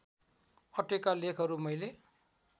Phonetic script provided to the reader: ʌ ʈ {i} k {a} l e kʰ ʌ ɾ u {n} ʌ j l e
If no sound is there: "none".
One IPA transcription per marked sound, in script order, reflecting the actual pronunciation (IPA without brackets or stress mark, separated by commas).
e, a, m